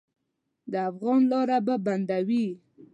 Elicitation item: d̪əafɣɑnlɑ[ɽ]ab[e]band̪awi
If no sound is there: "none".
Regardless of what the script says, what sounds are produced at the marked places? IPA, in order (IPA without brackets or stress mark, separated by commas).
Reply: ɾ, a